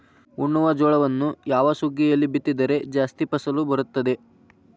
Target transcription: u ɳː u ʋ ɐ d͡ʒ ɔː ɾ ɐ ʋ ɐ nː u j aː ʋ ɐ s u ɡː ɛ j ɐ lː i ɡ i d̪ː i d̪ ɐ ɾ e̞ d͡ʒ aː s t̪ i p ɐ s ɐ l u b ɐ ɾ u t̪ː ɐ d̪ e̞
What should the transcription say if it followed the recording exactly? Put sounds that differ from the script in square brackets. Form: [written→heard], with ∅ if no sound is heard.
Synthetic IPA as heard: u ɳː u ʋ ɐ d͡ʒ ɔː [ɾ→ɭ] ɐ ʋ ɐ nː u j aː ʋ ɐ s u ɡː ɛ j ɐ lː i [ɡ→b] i [d̪ː→t̪ː] i d̪ ɐ ɾ e̞ d͡ʒ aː s t̪ i p ɐ s ɐ l u b ɐ ɾ u t̪ː ɐ d̪ e̞